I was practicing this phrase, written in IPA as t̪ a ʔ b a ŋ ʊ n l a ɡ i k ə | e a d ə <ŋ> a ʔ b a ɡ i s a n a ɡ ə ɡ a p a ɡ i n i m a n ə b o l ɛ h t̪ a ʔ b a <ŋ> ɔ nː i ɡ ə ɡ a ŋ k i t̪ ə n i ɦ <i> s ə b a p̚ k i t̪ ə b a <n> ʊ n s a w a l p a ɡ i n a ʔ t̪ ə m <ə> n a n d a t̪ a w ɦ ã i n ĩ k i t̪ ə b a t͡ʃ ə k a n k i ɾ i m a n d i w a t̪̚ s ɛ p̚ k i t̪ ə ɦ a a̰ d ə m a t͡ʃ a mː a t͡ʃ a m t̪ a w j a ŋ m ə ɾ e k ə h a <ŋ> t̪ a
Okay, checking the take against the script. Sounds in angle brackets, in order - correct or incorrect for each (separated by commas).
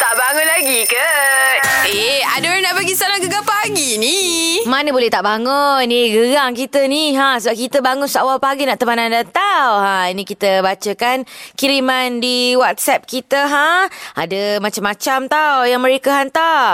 incorrect, correct, incorrect, incorrect, incorrect, incorrect